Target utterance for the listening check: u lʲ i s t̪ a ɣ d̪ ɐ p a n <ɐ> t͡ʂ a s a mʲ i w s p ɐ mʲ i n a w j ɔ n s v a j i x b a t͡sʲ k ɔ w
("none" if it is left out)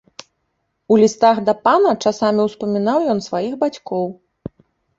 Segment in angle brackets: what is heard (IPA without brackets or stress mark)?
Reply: ɐ